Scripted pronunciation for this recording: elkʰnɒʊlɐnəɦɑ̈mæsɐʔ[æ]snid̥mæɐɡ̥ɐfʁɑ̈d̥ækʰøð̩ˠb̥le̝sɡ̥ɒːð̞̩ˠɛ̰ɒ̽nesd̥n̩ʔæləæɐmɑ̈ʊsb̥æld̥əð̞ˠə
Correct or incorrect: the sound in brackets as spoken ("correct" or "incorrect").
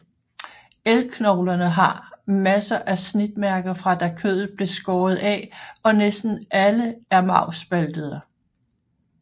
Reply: correct